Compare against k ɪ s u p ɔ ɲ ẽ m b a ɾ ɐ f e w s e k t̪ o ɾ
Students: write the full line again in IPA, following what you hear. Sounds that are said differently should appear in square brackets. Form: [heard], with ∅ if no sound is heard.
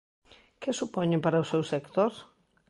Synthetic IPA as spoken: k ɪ s u p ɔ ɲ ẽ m [p] a ɾ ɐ [s] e w s e k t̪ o ɾ

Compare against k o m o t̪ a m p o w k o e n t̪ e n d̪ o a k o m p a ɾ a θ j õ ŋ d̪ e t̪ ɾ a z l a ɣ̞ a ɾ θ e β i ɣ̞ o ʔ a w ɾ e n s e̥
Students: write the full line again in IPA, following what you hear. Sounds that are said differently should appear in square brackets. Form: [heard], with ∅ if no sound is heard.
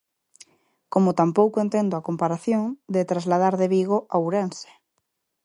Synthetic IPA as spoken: k o m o t̪ a m p o w k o e n t̪ e n d̪ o a k o m p a ɾ a θ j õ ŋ d̪ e t̪ ɾ a z l a [ð̞] a ɾ [ð] e β i ɣ̞ o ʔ a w ɾ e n s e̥

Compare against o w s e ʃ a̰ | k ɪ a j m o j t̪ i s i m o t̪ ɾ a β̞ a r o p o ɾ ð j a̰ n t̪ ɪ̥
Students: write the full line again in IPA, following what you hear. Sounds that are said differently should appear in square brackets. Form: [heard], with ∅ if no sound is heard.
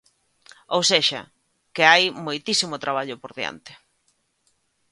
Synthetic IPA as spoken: o w s e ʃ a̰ | k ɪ a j m o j t̪ i s i m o t̪ ɾ a β̞ a [ʎ] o p o ɾ ð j a̰ n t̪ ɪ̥

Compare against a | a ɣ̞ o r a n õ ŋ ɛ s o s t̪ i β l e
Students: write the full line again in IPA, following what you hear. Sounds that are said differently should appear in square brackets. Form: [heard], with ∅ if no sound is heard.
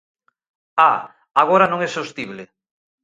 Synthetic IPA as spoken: a | a ɣ̞ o [ɾ] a n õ ŋ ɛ s o s t̪ i β l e

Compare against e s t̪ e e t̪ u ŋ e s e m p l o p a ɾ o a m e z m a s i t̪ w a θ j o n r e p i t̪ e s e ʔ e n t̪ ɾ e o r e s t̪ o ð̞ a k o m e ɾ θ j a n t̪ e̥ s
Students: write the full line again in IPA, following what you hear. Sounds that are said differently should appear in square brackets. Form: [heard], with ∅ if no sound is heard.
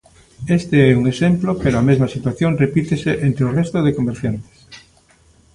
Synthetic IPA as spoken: e s t̪ e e [∅] u ŋ e s e m p l o p [e] ɾ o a m e z m a s i t̪ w a θ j o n r e p i t̪ e s e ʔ e n t̪ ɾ e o r e s t̪ o ð̞ [e] k o m e ɾ θ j a n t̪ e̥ s

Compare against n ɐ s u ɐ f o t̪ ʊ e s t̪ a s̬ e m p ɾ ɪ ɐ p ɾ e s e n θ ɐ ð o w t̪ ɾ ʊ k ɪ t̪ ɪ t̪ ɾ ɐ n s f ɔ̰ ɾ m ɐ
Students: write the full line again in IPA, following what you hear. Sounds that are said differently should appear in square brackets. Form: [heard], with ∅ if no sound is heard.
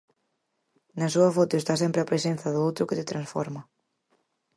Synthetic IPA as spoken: n ɐ s u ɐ f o t̪ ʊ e s t̪ a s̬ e m p ɾ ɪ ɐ p ɾ e s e n θ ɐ ð o w t̪ ɾ ʊ k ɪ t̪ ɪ t̪ ɾ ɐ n s f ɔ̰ ɾ m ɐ

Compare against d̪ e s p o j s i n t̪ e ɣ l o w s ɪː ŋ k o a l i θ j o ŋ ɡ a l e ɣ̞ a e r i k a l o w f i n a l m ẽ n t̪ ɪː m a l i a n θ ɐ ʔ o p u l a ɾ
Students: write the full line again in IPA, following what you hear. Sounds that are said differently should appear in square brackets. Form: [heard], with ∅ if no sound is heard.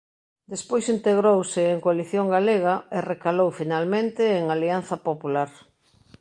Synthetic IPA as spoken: d̪ e s p o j s i n t̪ e ɣ [ɾ] o w s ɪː ŋ k o a l i θ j o ŋ ɡ a l e ɣ̞ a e r [e] k a l o w f i n a l m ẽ n t̪ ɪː [ŋ] a l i a n θ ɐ [p] o p u l a ɾ

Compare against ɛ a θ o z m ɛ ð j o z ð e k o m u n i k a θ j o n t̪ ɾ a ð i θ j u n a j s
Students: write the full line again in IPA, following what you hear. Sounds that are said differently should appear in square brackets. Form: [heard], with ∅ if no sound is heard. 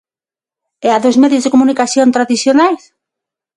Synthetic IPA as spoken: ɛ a [ð] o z m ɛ ð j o z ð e k o m u n i k a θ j o n t̪ ɾ a ð i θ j [o] n a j s

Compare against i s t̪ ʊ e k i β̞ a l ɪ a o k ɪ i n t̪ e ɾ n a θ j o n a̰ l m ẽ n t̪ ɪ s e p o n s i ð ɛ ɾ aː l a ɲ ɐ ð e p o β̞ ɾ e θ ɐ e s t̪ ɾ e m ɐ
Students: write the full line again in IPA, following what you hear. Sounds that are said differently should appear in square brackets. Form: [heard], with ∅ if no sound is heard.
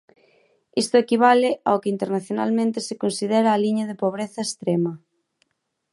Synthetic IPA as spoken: i s t̪ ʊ e k i β̞ a l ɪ a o k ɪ i n t̪ e ɾ n a θ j o n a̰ l m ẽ n t̪ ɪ s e [k] o n s i ð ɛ ɾ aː l [i] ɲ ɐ ð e p o β̞ ɾ e θ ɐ e s t̪ ɾ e m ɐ

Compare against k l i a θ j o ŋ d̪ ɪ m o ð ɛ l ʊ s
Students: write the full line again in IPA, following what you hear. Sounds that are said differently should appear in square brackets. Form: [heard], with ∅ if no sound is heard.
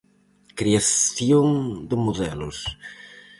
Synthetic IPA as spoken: k [ɾ] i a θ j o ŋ d̪ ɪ m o ð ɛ l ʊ s

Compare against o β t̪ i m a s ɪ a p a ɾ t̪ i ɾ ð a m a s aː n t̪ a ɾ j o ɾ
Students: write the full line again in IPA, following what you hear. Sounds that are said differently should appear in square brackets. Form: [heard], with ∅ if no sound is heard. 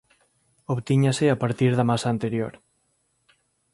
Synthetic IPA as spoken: o β t̪ i [ɲ] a s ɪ a p a ɾ t̪ i ɾ ð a m a s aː n t̪ [e] ɾ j o ɾ

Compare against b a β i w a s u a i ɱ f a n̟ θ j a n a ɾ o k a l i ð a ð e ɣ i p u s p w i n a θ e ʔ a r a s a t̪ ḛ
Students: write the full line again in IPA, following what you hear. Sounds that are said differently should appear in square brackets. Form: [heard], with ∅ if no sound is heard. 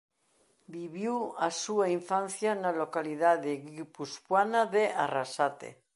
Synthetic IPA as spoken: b [i] β i w a s u a i ɱ f a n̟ θ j a n a [l] o k a l i ð a ð e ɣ i p u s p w [a] n a [ð] e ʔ a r a s a t̪ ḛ

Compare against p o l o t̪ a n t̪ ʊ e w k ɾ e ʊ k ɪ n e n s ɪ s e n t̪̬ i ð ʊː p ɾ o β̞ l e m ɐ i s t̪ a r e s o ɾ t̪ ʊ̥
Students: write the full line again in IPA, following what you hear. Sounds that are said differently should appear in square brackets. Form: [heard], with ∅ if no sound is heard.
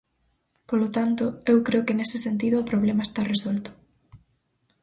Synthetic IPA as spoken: p o l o t̪ a n t̪ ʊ e w k ɾ e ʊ k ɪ n e [∅] s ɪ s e n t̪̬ i ð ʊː p ɾ o β̞ l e m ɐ [e] s t̪ a r e s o [l] t̪ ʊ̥

